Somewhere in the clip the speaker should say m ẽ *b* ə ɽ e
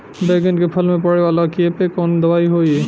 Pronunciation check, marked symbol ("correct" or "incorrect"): incorrect